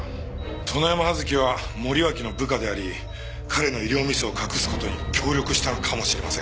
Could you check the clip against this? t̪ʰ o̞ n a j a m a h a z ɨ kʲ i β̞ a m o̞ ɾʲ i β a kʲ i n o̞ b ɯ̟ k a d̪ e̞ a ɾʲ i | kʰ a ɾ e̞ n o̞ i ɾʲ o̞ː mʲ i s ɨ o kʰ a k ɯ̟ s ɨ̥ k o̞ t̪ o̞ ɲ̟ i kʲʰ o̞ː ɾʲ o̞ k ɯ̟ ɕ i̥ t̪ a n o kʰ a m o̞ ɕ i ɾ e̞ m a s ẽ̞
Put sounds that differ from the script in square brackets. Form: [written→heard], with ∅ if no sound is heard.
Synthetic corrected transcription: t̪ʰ o̞ n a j a m a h a z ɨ kʲ i β̞ a m o̞ ɾʲ i β a kʲ i n o̞ b ɯ̟ k a d̪ e̞ a ɾʲ i | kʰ a ɾ e̞ n o̞ i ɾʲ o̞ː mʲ i s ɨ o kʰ a k ɯ̟ s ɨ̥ k o̞ t̪ o̞ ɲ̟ i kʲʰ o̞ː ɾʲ o̞ k ɯ̟ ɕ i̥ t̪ a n o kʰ a m o̞ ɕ i ɾ e̞ m a s ẽ̞